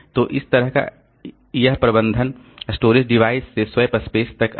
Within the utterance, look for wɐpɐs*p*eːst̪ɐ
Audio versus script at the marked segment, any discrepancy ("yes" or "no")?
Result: no